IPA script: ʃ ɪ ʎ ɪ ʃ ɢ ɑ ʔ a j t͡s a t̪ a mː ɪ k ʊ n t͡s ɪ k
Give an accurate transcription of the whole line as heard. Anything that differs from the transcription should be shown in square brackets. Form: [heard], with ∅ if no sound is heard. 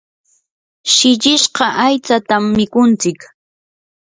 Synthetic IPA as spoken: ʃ ɪ ʎ ɪ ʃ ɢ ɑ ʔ a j t͡s a t̪ a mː ɪ k ʊ n t͡s ɪ k